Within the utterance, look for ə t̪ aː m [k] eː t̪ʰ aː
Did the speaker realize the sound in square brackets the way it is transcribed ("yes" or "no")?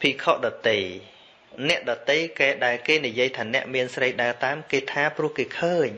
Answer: yes